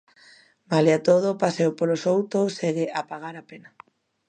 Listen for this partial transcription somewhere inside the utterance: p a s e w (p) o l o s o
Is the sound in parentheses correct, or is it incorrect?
correct